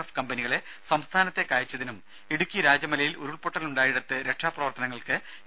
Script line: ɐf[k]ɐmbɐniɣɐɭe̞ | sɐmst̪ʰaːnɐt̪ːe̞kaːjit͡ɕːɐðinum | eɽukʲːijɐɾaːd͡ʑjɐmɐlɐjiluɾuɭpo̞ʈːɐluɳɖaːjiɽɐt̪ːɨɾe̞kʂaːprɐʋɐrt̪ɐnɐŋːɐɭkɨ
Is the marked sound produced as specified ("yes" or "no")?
yes